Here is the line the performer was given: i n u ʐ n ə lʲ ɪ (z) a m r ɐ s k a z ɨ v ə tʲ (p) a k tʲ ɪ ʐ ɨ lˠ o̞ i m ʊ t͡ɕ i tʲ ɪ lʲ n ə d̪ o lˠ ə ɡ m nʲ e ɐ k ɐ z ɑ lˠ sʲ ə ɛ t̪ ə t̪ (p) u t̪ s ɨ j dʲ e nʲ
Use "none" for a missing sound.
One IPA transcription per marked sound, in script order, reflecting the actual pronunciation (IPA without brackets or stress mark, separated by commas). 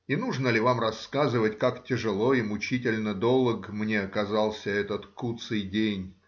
v, k, k